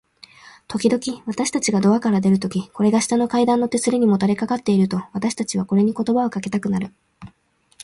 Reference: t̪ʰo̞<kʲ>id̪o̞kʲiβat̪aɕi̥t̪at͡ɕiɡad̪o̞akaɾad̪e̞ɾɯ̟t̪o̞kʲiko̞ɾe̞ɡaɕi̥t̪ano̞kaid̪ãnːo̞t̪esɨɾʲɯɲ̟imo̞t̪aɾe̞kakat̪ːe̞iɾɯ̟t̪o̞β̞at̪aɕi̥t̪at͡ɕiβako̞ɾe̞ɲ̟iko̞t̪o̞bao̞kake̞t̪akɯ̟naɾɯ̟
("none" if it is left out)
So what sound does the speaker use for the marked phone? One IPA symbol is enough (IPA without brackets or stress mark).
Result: kʲ